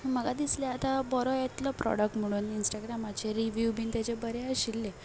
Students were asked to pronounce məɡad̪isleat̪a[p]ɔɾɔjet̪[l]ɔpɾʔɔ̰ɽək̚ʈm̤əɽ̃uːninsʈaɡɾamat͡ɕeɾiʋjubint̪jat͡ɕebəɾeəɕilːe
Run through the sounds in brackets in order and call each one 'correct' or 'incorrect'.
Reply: incorrect: b, correct

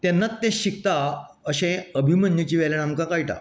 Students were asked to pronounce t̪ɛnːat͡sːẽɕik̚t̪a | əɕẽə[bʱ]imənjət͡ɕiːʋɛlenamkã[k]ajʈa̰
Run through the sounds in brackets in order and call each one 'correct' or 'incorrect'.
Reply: correct, correct

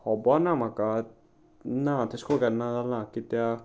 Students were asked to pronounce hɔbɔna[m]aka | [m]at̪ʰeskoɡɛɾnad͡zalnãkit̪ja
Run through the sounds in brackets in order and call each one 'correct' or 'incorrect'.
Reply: correct, incorrect: n

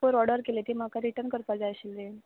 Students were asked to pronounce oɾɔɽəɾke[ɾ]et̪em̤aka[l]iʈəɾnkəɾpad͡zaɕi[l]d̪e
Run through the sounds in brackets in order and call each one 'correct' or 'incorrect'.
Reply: incorrect: l, incorrect: ɾ, correct

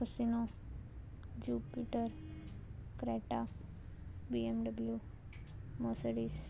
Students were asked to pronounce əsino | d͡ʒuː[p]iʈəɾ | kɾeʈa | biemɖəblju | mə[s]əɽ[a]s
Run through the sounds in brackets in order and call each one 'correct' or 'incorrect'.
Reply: correct, correct, incorrect: i

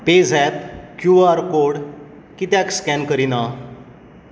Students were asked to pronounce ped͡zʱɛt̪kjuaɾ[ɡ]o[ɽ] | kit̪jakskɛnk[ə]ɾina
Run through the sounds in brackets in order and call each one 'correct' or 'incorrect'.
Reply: incorrect: k, correct, correct

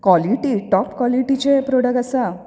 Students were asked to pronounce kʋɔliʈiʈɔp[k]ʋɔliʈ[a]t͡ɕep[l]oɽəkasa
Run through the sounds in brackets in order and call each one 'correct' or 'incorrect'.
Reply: correct, incorrect: i, incorrect: ɾ

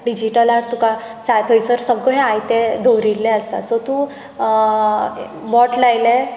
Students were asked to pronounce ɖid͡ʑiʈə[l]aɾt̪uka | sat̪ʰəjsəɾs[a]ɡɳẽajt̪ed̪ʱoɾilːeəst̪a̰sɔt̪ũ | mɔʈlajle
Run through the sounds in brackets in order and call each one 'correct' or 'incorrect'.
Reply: correct, incorrect: ə

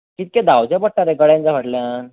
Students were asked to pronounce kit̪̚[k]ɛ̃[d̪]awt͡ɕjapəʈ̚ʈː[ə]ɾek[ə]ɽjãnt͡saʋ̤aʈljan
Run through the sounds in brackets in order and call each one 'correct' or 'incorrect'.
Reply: correct, correct, incorrect: a, correct

